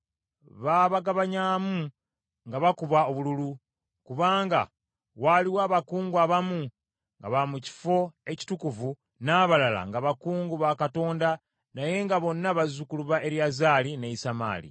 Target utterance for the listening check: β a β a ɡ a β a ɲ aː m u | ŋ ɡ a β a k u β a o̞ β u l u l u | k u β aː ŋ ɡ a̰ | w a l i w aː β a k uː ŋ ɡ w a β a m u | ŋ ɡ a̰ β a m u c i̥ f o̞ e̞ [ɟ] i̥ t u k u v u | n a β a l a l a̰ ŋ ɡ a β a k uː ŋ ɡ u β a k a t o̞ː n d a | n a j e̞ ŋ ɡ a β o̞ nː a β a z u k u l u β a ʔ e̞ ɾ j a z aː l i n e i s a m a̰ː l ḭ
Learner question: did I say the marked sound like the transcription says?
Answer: no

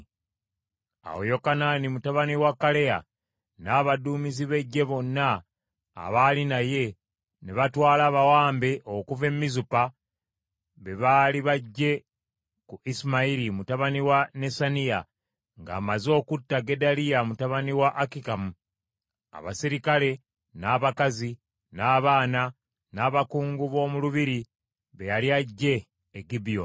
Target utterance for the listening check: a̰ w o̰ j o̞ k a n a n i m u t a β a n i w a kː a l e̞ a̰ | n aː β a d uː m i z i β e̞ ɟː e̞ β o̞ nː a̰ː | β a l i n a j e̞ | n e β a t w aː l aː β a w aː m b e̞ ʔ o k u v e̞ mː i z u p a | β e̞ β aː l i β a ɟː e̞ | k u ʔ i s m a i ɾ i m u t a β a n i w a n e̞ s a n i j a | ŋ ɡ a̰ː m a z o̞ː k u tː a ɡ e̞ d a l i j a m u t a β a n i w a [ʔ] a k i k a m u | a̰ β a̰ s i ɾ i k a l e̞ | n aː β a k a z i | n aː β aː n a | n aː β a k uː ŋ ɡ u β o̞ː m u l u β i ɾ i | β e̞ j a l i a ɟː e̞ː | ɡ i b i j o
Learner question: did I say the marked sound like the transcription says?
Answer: yes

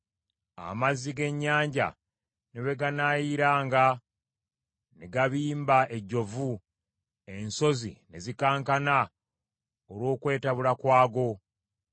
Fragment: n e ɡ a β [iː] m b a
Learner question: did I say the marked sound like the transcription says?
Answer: yes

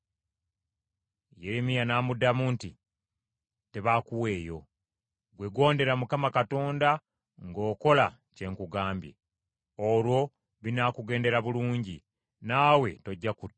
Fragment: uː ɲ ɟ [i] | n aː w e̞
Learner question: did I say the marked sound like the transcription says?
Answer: yes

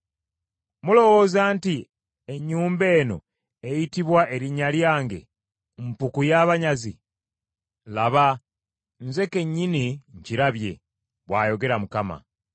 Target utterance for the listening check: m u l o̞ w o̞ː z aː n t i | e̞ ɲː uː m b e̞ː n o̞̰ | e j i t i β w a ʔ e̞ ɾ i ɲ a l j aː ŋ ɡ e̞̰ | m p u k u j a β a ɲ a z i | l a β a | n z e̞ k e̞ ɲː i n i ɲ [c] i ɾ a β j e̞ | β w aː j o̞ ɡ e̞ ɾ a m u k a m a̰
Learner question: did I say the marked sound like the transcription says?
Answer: yes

